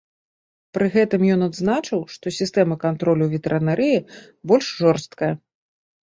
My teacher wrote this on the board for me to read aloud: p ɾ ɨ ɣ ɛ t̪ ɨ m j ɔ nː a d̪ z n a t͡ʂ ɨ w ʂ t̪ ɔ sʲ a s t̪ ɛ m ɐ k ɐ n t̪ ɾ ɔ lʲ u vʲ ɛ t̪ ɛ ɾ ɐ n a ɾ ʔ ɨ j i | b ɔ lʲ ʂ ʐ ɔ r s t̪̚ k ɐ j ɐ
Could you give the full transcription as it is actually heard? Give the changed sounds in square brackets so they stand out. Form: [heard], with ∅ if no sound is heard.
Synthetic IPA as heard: p ɾ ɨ ɣ ɛ t̪ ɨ m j ɔ [n] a d̪ z n a t͡ʂ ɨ w ʂ t̪ ɔ sʲ [i] s t̪ ɛ m ɐ k [a] n t̪ ɾ ɔ lʲ u vʲ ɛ t̪ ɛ ɾ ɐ n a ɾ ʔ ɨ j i | b ɔ lʲ ʂ ʐ ɔ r s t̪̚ k ɐ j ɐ